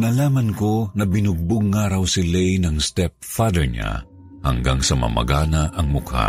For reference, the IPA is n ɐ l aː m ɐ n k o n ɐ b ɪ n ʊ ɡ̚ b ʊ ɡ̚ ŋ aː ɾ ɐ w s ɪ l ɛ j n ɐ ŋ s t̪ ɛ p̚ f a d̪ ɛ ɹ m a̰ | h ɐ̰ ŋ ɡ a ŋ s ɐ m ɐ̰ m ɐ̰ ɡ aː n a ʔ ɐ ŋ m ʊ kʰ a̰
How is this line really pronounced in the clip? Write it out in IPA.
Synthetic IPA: n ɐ l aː m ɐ n k o n ɐ b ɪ n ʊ ɡ̚ b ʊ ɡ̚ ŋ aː ɾ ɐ w s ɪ l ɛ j n ɐ ŋ s t̪ ɛ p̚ f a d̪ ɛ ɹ ɲ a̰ | h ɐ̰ ŋ ɡ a ŋ s ɐ m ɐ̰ m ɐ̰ ɡ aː n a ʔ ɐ ŋ m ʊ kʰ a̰